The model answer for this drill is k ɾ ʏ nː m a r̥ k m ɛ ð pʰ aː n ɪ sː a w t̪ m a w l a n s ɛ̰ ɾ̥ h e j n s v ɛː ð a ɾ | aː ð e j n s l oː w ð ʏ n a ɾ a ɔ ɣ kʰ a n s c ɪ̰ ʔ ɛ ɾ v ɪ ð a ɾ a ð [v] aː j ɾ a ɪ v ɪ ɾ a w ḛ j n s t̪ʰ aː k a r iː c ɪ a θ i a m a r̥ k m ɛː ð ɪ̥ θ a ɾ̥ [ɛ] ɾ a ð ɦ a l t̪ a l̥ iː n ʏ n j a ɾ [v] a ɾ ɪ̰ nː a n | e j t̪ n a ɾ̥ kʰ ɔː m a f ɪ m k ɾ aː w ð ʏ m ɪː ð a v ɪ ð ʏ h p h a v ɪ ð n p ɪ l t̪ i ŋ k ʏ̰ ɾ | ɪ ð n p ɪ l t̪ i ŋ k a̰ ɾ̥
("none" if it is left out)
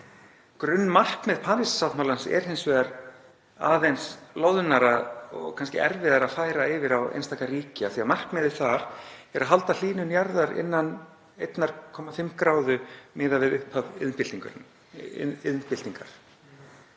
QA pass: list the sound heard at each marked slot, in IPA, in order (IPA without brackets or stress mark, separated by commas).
f, ɛ, ð